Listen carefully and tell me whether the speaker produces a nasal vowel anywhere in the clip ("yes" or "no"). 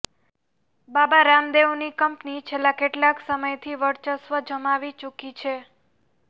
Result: no